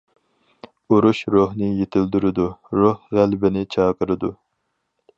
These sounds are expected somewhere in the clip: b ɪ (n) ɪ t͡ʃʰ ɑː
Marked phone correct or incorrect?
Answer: correct